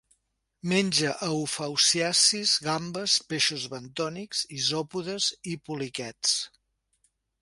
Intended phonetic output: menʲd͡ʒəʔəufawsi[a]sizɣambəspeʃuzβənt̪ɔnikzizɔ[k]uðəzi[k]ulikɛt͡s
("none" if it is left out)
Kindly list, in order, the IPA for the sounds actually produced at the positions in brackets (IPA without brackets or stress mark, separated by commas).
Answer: a, p, p